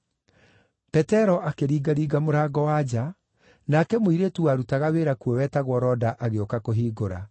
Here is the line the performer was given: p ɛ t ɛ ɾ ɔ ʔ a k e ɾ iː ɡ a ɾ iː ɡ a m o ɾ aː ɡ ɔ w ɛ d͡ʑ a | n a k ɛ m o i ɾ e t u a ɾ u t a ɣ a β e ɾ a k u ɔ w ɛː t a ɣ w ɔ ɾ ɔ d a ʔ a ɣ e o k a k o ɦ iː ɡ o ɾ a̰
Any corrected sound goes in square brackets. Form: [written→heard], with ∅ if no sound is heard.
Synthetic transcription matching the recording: p ɛ t ɛ ɾ ɔ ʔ a k e ɾ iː ɡ a ɾ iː ɡ a m o ɾ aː ɡ ɔ w [ɛ→a] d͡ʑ a | n a k ɛ m o i ɾ e t u a ɾ u t a ɣ a [β→w] e ɾ a k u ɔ w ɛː t a ɣ w ɔ ɾ ɔ d a ʔ a ɣ e o k a k o ɦ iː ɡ o ɾ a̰